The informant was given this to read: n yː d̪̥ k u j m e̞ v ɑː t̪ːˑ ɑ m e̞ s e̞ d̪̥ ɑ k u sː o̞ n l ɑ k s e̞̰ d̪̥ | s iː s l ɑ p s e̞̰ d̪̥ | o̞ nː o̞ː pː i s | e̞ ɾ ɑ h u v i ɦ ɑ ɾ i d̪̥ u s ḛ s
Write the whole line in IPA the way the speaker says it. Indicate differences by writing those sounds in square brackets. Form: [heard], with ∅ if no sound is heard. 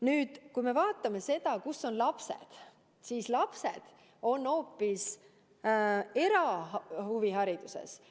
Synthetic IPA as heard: n yː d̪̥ k u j m e̞ v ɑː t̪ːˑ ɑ m e̞ s e̞ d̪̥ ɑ k u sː o̞ n l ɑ [p] s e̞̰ d̪̥ | s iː s l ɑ p s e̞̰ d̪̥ | o̞ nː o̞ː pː i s | e̞ ɾ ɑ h u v i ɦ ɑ ɾ i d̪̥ u s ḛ s

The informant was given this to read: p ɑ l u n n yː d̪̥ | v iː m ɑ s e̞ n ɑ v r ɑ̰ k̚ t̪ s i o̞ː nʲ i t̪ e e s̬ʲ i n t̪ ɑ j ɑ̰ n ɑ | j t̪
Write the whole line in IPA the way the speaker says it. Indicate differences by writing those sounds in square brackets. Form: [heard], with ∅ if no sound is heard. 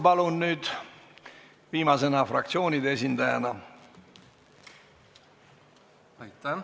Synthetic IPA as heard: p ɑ l u n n yː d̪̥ | v iː m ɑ s e̞ n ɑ [f] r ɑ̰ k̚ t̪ s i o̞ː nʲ i [d̪] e e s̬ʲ i n [d̪] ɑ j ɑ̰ n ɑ | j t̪

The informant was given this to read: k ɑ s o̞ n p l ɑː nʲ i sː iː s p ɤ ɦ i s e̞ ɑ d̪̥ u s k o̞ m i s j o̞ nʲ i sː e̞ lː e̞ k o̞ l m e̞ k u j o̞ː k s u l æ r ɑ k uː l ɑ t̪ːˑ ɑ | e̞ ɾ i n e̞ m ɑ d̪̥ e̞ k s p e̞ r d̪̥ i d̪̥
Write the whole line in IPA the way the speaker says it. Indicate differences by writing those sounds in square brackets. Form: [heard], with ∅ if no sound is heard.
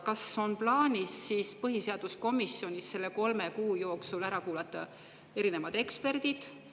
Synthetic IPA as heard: k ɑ s o̞ n p l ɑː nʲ i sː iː s p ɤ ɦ i s e̞ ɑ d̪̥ u s k o̞ m i s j o̞ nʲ i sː e̞ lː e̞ k o̞ l m e̞ k [uː] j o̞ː k s u l æ [ɾ] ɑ k uː l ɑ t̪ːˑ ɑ | e̞ ɾ i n e̞ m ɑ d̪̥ e̞ k s p e̞ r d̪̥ i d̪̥

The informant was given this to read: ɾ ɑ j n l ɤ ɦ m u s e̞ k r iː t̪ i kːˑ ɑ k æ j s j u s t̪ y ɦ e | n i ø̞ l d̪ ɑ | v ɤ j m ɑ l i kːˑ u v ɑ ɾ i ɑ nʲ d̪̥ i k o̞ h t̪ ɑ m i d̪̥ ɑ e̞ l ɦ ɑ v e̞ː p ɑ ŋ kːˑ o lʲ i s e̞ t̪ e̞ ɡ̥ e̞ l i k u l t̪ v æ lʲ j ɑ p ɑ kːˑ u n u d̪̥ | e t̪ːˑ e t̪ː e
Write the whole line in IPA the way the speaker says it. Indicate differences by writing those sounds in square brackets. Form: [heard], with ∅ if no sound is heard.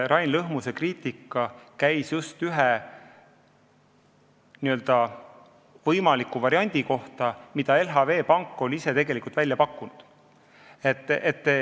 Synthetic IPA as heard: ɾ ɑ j n l ɤ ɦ m u s e̞ k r iː t̪ i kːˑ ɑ k æ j s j u s t̪ y ɦ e | n i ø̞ l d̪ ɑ | v ɤ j m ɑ l i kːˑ u v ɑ ɾ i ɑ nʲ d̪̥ i k o̞ h t̪ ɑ m i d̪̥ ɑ e̞ l ɦ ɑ v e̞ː p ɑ ŋ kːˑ o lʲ i s e̞ t̪ e̞ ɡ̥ e̞ l i k u l t̪ v æ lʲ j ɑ p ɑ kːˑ u n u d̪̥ | e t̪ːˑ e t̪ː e

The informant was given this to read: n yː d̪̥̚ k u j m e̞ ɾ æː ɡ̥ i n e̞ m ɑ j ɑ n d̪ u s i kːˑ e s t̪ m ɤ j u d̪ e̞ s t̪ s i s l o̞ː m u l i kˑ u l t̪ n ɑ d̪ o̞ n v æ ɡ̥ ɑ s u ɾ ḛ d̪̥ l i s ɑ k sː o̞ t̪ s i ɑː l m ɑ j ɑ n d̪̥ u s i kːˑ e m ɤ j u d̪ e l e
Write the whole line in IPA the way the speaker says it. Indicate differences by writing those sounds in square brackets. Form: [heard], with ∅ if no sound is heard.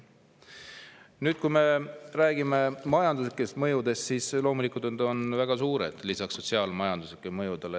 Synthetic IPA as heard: n yː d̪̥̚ k u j m e̞ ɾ æː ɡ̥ i [m] e̞ m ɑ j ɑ n d̪ u s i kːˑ e s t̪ m ɤ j u d̪ e̞ s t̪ s i s l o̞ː m u l i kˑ u l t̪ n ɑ d̪ o̞ n v æ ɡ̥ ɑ s [uː] ɾ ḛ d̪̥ l i s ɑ k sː o̞ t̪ s i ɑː l m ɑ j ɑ n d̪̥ u s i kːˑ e m ɤ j u d̪ e l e

